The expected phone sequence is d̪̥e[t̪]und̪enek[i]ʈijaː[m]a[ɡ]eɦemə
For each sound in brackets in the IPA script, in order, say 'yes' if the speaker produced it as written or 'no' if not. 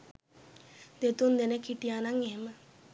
yes, yes, no, no

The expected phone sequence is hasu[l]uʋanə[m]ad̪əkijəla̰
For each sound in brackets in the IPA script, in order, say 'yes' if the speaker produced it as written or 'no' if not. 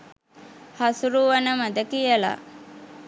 no, yes

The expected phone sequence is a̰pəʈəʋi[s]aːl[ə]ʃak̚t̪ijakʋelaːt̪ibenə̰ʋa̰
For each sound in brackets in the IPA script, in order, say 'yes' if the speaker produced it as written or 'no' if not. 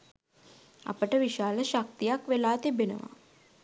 no, yes

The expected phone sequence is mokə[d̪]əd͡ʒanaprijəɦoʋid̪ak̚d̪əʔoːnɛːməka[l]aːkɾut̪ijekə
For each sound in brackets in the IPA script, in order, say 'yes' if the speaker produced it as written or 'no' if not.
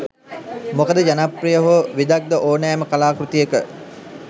yes, yes

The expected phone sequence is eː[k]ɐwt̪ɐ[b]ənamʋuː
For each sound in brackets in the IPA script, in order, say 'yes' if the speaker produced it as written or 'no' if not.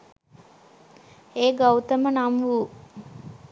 no, no

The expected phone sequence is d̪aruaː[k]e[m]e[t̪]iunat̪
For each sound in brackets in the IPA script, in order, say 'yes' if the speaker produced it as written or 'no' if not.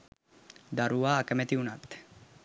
yes, yes, yes

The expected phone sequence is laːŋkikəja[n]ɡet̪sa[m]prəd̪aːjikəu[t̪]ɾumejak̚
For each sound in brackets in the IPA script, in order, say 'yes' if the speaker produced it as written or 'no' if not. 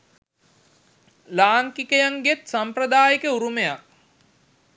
no, yes, no

